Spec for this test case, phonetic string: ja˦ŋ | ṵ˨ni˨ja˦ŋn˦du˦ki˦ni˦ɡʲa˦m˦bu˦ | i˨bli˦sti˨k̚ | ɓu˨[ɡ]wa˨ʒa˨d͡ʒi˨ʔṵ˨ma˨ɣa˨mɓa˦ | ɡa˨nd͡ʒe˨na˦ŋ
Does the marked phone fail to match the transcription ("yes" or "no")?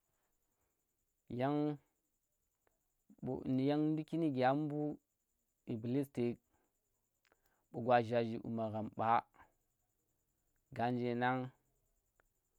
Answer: no